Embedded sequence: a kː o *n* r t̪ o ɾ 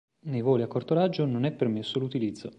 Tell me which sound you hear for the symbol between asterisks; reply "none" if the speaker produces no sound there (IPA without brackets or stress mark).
none